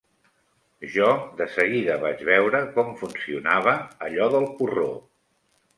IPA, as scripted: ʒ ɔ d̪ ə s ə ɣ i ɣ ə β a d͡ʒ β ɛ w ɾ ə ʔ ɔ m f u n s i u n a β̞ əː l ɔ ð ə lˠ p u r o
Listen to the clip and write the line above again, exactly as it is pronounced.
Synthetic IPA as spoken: ʒ ɔ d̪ ə s ə ɣ i ð ə β a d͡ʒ β ɛ w ɾ ə k ɔ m f u n s i u n a β̞ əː ʎ ɔ ð ə lˠ p u r o